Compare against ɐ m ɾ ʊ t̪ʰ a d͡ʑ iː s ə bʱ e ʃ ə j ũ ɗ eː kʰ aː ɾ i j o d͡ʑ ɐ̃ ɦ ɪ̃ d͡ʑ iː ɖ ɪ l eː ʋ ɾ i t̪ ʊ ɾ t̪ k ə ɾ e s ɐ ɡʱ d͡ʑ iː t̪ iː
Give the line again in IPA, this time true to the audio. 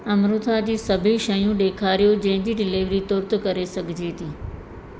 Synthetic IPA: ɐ m ɾ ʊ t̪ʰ a d͡ʑ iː s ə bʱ i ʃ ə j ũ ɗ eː kʰ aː ɾ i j o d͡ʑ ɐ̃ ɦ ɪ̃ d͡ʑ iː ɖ ɪ l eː ʋ ɾ i t̪ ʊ ɾ t̪ k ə ɾ e s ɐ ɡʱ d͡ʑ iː t̪ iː